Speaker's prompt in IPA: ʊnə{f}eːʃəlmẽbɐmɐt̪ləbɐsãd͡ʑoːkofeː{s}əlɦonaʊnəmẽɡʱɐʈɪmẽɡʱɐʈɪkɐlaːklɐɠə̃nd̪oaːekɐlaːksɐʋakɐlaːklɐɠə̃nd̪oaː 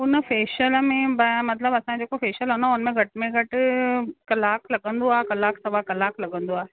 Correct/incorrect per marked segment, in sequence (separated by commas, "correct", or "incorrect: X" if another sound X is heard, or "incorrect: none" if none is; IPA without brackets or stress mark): correct, incorrect: ʃ